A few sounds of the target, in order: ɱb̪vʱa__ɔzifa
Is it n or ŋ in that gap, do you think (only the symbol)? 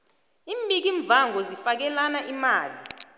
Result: ŋ